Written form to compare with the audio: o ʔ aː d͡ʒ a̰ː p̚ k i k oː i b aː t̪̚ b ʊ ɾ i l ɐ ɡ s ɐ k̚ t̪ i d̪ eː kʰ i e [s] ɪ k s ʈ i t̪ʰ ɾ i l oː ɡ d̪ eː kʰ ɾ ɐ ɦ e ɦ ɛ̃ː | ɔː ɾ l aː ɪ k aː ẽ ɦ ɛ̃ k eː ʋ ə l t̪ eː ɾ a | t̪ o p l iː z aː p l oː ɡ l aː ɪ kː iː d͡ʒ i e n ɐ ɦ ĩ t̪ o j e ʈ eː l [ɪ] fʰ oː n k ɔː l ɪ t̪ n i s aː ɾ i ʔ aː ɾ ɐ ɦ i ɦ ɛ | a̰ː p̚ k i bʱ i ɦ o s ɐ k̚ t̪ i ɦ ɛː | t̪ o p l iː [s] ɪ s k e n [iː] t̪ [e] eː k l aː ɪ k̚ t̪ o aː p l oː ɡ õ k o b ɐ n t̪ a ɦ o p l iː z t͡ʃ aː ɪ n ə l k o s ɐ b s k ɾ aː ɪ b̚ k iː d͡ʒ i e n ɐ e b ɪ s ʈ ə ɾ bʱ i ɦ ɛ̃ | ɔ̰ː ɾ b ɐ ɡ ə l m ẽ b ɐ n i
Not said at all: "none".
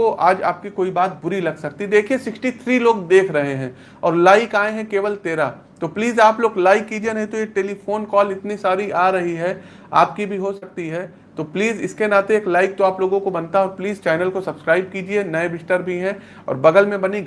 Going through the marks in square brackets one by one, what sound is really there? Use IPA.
s, i, z, aː, e

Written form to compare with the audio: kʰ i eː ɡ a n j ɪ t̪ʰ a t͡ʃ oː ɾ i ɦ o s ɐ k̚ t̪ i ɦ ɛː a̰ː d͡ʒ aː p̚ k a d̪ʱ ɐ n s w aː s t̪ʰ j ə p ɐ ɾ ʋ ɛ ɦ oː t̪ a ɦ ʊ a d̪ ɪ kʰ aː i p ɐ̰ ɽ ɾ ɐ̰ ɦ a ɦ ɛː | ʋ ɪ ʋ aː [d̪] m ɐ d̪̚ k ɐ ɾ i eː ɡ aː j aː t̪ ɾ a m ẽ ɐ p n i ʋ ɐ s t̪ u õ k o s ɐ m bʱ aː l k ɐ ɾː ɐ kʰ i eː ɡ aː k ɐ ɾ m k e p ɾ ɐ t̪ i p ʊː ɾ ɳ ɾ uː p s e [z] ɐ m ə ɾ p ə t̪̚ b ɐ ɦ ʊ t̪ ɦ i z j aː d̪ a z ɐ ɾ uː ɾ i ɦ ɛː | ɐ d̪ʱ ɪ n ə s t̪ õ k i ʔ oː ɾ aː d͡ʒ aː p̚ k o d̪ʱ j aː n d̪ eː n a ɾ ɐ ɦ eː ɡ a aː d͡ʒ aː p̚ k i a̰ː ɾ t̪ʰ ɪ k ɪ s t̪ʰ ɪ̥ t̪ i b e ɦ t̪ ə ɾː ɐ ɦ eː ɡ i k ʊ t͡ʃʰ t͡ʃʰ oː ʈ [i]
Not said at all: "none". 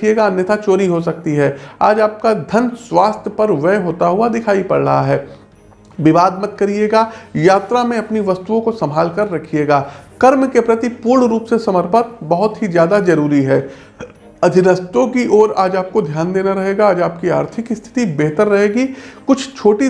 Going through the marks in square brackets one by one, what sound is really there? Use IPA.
d̪, s, i

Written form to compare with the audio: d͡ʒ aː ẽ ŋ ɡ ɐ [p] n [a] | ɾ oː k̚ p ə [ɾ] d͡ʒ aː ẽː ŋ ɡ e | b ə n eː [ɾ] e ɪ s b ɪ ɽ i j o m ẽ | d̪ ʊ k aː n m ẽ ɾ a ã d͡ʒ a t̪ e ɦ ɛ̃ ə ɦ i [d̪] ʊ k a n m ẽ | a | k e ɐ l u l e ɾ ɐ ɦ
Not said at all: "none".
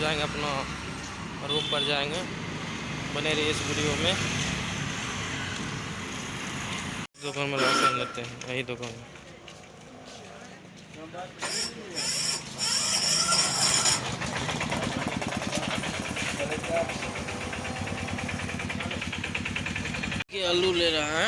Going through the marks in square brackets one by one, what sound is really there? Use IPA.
p, a, ɾ, ɾ, d̪

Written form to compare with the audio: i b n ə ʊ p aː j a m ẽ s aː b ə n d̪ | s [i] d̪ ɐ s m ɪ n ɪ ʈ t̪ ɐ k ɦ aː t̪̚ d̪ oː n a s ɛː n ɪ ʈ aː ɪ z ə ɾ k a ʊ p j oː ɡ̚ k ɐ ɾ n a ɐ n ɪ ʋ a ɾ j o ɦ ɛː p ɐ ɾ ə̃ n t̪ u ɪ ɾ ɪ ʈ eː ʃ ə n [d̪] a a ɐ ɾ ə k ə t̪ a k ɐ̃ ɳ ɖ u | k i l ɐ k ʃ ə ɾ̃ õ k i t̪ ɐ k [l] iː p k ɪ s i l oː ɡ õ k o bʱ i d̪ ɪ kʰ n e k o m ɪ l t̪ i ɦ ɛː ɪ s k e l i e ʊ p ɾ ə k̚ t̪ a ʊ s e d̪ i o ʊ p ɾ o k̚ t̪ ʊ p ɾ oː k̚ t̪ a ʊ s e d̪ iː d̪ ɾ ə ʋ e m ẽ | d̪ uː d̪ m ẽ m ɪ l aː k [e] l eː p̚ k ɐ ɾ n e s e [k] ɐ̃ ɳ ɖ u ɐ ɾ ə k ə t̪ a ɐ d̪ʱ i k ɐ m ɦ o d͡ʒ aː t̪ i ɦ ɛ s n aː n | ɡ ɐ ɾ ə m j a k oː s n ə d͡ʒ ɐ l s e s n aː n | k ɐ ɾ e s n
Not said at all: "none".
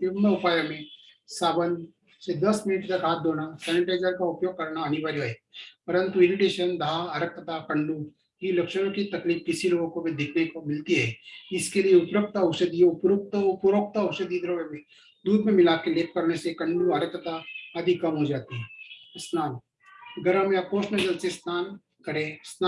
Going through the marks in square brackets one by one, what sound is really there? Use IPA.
e, d̪, l, e, k

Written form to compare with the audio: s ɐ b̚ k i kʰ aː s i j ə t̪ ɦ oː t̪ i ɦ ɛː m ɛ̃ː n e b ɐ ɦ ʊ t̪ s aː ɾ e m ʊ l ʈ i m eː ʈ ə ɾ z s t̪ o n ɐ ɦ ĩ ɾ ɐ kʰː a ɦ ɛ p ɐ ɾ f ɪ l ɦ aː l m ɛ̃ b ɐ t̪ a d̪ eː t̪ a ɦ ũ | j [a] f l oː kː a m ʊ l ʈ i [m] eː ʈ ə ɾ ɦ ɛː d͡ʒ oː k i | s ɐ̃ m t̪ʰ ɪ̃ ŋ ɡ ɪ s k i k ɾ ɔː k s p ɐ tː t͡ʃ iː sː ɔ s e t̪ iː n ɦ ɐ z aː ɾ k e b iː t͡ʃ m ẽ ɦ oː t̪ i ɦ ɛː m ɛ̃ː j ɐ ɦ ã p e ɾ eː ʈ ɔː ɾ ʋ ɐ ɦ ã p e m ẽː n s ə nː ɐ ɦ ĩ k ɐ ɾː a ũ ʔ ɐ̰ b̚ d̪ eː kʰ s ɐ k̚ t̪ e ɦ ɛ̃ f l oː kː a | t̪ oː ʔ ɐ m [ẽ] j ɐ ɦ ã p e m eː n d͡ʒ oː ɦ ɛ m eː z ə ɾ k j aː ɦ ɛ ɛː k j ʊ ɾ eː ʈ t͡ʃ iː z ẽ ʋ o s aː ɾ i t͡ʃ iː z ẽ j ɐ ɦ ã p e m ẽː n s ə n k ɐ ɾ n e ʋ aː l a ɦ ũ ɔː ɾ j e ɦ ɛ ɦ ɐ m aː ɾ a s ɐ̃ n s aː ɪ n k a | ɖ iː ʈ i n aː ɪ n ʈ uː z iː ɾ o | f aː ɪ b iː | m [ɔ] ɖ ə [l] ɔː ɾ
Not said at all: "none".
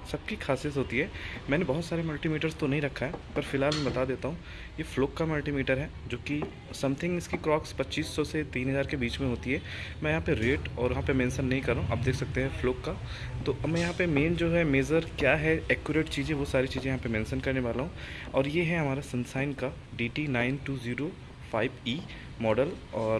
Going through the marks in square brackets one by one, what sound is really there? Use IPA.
e, m, ɛ̃, ɔː, l

